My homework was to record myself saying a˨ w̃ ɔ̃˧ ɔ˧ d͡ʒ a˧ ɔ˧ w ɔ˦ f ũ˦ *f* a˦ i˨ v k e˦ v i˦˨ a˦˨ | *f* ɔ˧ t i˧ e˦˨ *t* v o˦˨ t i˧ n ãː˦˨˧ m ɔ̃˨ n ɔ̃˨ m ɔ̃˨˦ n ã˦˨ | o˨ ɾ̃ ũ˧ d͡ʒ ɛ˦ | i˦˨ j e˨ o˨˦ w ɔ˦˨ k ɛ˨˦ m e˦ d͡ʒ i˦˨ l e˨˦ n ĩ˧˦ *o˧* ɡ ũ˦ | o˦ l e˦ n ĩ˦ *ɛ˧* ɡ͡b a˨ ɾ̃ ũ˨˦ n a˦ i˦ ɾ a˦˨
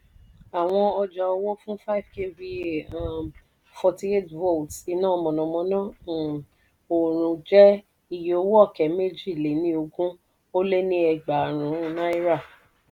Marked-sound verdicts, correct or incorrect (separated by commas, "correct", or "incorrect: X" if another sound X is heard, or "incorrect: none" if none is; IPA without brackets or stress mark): correct, correct, correct, correct, correct